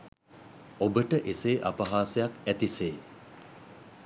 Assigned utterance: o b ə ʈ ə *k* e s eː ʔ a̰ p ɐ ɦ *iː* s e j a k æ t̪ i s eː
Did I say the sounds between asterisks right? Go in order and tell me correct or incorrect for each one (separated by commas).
incorrect, incorrect